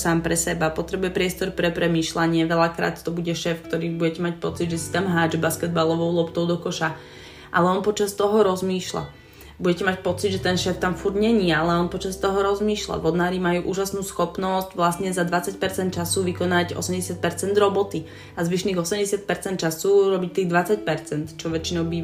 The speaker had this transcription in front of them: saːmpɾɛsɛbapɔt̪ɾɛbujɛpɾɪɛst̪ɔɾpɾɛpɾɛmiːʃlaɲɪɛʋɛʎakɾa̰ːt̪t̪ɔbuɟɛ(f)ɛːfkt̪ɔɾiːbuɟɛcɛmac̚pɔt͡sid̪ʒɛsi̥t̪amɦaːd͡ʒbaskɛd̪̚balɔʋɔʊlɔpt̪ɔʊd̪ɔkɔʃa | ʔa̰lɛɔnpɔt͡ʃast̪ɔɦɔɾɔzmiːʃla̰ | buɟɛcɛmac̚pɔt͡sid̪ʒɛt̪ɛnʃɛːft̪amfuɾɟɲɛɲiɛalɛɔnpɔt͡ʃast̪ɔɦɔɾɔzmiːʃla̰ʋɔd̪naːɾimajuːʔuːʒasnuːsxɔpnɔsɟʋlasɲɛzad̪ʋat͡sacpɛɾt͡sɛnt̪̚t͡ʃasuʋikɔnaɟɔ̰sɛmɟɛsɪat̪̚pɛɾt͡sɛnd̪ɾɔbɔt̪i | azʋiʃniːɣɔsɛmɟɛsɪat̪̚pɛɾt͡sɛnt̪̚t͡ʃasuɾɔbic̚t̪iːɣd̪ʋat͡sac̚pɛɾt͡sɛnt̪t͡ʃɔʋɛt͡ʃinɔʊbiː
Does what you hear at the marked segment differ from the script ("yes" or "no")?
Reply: yes